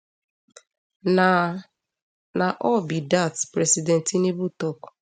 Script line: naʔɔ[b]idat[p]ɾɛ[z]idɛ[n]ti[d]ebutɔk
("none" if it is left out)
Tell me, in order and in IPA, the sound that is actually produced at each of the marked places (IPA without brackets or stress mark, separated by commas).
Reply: b, p, s, n, n